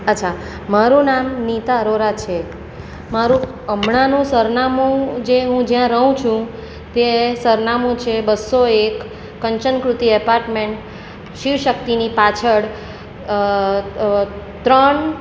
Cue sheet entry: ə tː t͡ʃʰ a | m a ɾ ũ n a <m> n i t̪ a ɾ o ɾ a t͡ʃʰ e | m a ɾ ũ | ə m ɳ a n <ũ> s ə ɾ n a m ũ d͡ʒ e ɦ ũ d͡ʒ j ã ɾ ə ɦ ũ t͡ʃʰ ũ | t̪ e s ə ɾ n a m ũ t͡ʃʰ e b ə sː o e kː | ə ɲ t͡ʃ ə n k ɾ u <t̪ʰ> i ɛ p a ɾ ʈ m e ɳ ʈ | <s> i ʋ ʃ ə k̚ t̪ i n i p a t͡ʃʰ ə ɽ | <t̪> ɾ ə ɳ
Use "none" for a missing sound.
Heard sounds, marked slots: m, ũ, t̪, ʃ, t̪

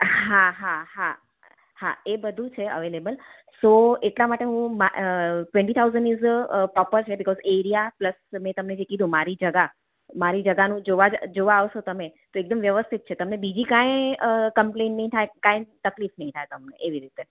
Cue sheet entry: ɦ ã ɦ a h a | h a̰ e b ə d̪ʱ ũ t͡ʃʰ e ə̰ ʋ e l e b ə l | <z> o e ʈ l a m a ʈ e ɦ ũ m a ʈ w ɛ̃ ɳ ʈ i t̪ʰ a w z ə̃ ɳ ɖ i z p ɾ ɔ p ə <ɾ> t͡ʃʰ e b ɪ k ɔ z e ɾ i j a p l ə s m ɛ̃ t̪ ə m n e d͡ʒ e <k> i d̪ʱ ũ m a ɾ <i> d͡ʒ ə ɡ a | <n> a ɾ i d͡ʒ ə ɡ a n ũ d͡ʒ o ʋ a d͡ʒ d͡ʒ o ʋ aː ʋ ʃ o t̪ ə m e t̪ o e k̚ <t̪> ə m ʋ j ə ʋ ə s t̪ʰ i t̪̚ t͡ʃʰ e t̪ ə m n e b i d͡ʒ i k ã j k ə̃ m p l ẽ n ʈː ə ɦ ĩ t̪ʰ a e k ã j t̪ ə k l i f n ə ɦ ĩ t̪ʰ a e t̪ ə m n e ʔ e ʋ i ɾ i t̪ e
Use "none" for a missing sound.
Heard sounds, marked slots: s, ɾ, k, i, m, d̪

